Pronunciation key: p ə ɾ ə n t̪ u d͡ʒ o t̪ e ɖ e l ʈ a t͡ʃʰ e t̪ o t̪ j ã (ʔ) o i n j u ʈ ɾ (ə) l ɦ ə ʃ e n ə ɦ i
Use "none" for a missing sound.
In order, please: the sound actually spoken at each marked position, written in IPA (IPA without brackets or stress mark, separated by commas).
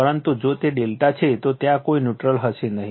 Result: k, ə